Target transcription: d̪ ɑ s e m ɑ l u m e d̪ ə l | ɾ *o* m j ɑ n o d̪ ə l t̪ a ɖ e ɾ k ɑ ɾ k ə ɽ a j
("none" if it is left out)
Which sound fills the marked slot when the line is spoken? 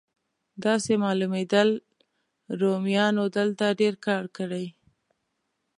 o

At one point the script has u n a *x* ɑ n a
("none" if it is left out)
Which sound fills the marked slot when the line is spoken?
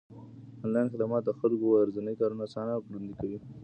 s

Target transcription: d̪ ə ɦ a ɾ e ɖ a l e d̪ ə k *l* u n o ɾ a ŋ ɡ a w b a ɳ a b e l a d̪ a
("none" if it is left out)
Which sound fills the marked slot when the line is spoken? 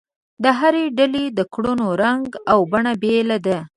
ɽ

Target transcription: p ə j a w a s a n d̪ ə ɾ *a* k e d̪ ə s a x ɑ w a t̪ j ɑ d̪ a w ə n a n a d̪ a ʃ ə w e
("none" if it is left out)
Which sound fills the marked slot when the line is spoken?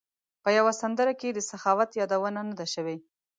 a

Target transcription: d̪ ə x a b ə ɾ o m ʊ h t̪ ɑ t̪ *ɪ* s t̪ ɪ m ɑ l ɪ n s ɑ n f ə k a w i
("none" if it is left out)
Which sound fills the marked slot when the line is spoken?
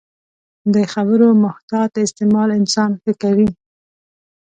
ɪ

